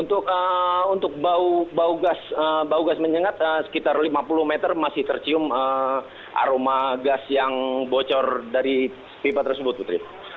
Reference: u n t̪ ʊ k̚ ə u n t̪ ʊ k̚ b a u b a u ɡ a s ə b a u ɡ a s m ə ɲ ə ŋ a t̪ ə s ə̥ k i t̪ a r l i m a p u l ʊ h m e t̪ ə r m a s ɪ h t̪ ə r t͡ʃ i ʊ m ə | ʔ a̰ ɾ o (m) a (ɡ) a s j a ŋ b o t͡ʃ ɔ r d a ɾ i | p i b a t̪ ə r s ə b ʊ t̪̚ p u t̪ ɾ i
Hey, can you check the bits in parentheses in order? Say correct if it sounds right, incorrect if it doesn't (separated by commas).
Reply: correct, correct